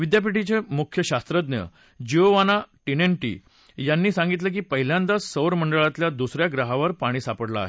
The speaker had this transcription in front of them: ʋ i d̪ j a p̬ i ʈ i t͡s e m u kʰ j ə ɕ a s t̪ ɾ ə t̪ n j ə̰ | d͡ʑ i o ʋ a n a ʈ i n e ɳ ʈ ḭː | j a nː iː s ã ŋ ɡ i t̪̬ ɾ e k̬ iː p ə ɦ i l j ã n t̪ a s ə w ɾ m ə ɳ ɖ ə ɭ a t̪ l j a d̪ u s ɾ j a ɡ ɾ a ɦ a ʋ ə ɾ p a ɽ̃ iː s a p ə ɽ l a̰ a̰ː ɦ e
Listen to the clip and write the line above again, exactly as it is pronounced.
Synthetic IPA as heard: ʋ i d̪ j a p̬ i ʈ i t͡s e m u kʰ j ə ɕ a s t̪ ɾ ə d̪ n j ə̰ | d͡ʑ i o ʋ a n a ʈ i n e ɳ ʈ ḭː | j a nː iː s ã ŋ ɡ i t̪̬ l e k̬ iː p ə ɦ i l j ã n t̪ a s ə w ɾ m ə ɳ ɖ ə ɭ a t̪ l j a d̪ u s ɾ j a ɡ ɾ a ɦ a ʋ ə ɾ p a ɽ̃ iː s a p ə ɽ l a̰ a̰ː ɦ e